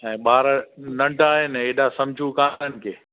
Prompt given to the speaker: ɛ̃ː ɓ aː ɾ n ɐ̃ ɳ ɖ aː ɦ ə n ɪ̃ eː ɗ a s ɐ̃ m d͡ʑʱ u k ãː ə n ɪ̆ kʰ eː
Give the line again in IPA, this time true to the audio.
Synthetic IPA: ɛ̃ː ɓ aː ɾ n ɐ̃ ɳ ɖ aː ɦ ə n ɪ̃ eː ɗ a s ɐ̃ m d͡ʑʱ u k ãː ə n ɪ̆ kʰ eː